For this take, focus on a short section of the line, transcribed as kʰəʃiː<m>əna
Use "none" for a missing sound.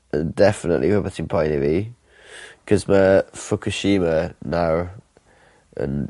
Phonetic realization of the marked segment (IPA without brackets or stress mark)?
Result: m